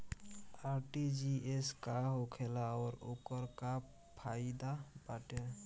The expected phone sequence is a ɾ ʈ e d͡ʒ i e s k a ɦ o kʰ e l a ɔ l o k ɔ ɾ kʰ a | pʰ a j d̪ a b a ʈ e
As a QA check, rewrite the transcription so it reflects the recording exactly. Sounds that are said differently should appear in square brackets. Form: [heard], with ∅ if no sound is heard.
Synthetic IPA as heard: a ɾ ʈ [i] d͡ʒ i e s k a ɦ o kʰ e l a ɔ [ɾ] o k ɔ ɾ [k] a | pʰ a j d̪ a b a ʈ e